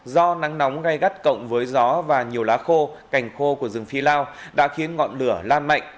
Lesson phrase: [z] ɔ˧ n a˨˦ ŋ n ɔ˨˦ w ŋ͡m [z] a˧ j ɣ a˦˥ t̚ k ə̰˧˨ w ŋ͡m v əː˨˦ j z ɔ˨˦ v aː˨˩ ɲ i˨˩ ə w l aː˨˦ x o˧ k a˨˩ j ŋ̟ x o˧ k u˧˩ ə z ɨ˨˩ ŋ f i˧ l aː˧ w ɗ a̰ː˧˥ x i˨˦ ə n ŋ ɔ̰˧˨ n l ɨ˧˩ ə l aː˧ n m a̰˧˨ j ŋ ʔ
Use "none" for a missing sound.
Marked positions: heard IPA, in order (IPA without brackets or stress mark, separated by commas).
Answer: z, ɣ